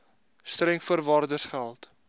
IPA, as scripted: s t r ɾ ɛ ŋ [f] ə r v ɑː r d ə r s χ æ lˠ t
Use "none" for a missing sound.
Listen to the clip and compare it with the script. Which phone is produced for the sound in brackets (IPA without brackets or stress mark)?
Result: f